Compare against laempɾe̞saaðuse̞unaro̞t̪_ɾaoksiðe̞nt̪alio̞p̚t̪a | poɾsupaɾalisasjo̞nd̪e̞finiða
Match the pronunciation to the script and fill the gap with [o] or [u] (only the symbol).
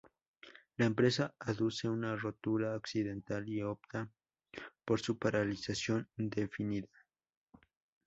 u